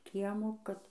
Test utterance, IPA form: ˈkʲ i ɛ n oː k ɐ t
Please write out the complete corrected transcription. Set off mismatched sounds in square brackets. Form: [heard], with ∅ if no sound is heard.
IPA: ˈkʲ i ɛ [m] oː k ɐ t